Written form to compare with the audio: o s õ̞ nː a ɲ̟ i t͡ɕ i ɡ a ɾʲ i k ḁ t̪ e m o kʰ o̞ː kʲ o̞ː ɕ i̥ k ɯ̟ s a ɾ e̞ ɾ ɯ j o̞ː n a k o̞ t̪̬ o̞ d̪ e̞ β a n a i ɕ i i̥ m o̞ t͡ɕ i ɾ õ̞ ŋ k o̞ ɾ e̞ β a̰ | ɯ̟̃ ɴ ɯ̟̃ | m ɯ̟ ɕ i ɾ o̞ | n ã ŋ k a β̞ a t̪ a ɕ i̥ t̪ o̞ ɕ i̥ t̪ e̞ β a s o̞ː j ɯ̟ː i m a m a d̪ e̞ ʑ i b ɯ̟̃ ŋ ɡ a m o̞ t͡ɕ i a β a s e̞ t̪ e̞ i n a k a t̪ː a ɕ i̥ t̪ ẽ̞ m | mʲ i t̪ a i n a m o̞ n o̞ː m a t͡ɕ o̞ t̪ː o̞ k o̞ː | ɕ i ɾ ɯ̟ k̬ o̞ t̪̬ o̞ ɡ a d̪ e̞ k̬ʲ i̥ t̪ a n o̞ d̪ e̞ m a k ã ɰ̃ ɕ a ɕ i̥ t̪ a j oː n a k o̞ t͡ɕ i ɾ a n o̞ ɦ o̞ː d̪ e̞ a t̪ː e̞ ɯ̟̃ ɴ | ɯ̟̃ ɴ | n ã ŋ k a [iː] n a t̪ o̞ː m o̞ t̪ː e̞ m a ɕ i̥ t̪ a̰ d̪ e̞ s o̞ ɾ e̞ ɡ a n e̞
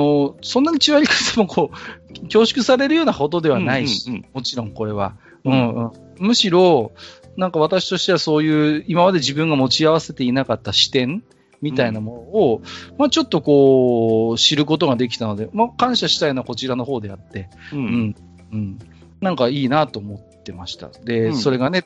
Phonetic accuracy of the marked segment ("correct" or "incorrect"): correct